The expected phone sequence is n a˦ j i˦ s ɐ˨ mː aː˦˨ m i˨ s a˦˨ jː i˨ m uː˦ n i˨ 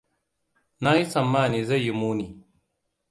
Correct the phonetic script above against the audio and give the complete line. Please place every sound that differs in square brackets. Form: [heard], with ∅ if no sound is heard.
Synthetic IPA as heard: n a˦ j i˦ s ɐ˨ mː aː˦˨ [n] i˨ [z] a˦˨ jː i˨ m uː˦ n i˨